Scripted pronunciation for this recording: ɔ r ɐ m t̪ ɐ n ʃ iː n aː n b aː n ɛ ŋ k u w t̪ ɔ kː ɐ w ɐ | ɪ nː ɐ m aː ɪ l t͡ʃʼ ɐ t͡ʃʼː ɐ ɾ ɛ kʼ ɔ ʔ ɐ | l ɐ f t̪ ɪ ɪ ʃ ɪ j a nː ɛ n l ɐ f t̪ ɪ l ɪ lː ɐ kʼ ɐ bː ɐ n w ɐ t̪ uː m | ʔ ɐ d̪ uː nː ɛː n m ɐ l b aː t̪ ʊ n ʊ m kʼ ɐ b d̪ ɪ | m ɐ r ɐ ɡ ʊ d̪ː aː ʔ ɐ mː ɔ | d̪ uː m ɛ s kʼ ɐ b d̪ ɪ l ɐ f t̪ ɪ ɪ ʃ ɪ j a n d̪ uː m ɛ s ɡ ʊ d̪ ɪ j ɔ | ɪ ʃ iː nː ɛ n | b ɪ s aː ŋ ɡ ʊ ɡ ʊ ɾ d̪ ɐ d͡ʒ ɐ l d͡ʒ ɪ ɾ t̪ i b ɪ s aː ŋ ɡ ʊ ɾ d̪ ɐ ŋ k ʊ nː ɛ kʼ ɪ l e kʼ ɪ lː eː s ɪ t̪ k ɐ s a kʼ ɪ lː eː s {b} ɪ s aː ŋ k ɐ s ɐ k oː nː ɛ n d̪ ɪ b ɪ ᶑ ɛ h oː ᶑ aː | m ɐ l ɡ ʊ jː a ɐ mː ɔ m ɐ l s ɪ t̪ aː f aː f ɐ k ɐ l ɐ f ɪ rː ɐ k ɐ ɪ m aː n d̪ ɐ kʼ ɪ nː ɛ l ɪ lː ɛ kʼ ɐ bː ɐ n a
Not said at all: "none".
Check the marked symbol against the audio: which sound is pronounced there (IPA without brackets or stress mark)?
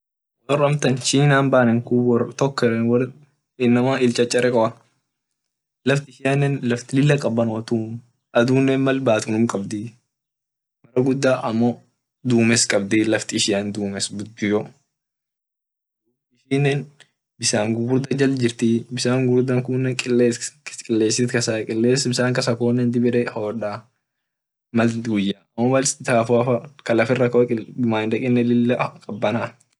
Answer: b